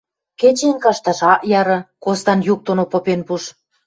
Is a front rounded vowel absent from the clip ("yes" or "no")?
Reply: yes